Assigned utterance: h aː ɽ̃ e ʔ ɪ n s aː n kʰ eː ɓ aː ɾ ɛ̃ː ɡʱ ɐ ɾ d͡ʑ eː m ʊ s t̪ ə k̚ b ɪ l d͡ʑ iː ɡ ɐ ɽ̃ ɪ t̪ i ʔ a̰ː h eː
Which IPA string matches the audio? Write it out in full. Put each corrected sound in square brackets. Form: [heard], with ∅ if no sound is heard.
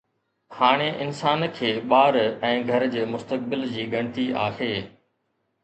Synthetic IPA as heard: h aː ɽ̃ e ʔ ɪ n s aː n kʰ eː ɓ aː ɾ ɛ̃ː ɡʱ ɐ ɾ d͡ʑ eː m ʊ s t̪ ə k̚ b ɪ l d͡ʑ iː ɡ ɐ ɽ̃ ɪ t̪ i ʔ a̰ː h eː